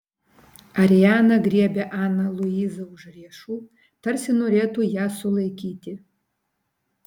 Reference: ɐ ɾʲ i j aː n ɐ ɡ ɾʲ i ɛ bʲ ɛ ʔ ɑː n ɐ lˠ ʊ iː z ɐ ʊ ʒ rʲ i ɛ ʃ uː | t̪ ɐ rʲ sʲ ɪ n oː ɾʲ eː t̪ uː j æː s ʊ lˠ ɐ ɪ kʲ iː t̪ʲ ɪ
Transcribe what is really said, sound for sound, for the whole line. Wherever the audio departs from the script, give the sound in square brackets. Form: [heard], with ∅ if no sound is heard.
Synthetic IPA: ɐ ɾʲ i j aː n ɐ ɡ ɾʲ i ɛ bʲ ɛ ʔ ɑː n ɐ lˠ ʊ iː z ɐ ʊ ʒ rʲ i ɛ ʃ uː | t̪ ɐ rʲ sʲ ɪ n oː ɾʲ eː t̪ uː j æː s ʊ lˠ ɐ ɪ kʲ iː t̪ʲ ɪ